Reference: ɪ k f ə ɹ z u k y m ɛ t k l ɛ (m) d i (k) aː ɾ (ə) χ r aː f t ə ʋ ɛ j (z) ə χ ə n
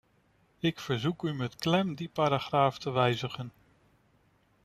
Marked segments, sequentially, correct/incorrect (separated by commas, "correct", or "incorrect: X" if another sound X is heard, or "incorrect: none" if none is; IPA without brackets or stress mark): correct, incorrect: p, incorrect: a, correct